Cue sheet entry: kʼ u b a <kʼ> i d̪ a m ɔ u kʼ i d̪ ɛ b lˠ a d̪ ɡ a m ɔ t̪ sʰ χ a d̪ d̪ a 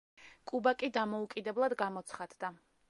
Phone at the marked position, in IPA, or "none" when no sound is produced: kʼ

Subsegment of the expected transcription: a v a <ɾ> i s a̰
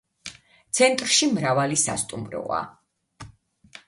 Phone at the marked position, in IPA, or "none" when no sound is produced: l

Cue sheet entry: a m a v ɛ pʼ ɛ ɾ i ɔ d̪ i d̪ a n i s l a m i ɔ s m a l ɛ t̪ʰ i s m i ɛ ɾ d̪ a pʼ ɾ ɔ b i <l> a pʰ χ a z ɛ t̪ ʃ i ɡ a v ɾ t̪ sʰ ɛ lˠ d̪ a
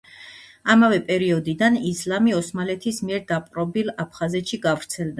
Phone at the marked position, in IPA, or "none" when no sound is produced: l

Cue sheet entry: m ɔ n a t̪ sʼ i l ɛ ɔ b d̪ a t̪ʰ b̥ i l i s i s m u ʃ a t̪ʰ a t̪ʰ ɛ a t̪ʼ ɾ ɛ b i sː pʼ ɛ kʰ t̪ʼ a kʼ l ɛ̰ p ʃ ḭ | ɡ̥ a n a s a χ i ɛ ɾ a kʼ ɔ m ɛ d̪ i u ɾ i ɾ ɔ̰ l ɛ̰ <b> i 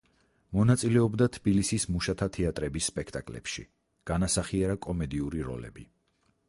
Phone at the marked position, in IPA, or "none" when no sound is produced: b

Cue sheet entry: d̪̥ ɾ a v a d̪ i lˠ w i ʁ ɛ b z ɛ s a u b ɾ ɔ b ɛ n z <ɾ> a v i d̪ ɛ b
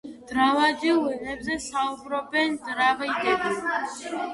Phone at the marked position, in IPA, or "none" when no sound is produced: ɾ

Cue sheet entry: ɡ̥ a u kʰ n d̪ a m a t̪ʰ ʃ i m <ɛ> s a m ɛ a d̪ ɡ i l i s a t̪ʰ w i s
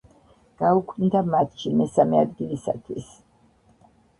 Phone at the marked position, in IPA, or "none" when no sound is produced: ɛ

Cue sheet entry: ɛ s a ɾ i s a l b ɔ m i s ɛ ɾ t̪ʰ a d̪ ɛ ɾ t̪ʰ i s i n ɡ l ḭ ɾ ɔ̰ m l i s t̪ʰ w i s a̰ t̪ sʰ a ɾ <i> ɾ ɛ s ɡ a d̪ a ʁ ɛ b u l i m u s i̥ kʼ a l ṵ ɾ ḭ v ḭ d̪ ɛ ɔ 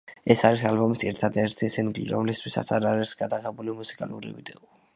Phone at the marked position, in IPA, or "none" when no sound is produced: a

